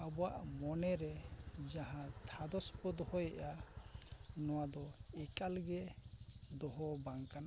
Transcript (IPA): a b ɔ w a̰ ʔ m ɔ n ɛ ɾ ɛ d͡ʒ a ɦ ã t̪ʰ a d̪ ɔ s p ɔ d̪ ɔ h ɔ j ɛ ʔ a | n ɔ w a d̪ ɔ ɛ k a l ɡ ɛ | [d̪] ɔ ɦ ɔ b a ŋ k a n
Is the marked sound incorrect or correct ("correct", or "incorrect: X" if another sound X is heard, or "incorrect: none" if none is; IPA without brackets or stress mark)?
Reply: correct